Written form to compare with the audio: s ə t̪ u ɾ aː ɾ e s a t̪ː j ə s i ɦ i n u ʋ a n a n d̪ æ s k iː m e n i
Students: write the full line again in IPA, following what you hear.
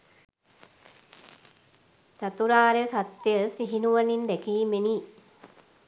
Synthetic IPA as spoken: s a t̪ u ɾ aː ɾ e s a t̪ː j ə s i ɦ i n u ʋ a n i n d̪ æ k iː m e n i